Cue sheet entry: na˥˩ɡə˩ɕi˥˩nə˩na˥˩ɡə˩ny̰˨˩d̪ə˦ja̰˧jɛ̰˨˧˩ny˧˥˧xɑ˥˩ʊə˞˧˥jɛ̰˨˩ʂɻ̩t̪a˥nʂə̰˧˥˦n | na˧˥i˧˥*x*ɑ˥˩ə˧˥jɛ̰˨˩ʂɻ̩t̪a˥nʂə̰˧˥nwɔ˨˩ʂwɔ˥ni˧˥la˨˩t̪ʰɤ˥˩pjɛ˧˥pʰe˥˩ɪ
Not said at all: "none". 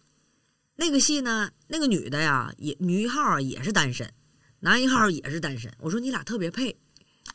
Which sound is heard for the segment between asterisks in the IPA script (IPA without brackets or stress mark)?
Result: x